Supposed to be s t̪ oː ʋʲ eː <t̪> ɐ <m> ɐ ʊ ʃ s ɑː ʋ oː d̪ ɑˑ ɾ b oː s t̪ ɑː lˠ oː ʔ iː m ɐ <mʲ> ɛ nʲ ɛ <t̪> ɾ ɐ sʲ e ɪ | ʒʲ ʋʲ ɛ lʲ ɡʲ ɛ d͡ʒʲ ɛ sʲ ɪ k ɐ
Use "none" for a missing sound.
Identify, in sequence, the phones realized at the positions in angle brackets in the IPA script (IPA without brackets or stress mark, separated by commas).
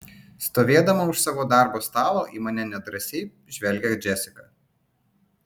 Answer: d̪, m, nʲ, d̪